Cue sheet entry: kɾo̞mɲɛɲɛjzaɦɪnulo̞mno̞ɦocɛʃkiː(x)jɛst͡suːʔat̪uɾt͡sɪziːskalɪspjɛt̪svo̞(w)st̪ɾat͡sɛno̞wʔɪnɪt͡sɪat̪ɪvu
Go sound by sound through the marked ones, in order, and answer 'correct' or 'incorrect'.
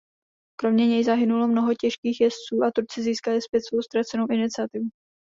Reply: correct, correct

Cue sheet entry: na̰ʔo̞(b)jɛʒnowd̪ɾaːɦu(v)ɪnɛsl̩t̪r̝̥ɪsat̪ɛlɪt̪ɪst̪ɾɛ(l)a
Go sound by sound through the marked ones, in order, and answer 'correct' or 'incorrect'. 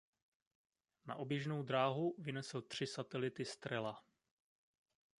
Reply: correct, correct, correct

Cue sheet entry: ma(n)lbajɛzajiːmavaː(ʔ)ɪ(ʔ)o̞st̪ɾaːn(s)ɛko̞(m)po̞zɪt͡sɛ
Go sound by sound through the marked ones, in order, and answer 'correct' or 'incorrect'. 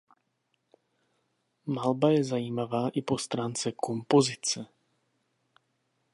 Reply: incorrect: none, correct, incorrect: p, incorrect: t͡s, correct

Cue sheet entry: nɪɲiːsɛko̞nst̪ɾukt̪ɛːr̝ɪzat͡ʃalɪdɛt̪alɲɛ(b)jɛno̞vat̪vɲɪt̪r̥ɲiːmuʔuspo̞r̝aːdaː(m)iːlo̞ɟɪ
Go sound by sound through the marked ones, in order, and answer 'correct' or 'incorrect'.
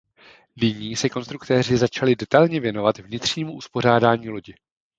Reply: incorrect: v, incorrect: ɲ

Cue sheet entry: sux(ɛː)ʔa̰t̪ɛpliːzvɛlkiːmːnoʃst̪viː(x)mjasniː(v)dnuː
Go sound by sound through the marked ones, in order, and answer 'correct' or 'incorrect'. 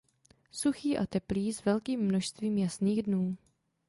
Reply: incorrect: iː, incorrect: none, incorrect: ɣ

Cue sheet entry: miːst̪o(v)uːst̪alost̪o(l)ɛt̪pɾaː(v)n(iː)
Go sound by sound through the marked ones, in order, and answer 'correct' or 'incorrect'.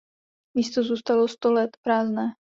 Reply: incorrect: z, correct, incorrect: z, incorrect: ɛː

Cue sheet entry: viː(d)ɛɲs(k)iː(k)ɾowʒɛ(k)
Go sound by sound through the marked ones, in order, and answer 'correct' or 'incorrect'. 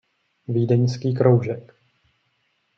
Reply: correct, correct, correct, correct

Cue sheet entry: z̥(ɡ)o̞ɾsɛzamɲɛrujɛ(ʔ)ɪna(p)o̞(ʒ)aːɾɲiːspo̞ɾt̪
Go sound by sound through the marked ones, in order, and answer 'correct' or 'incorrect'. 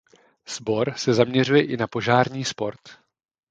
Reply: incorrect: b, correct, correct, correct

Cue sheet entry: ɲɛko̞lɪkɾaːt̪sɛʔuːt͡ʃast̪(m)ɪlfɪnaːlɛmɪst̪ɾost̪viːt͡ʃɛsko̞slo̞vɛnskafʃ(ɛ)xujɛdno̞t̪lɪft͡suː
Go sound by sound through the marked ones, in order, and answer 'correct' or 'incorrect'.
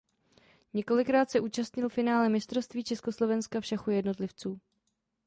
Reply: incorrect: ɲ, incorrect: a

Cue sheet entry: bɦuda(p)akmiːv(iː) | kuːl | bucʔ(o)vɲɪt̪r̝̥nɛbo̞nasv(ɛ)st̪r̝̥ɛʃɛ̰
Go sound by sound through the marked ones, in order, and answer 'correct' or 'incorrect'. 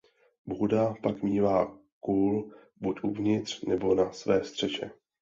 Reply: correct, incorrect: aː, incorrect: u, incorrect: ɛː

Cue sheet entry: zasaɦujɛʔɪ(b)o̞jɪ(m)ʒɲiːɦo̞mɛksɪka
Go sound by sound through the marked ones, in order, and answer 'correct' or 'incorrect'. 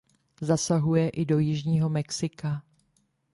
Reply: incorrect: d, incorrect: none

